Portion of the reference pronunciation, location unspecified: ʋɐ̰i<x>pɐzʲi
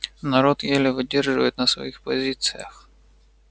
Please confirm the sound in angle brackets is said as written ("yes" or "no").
yes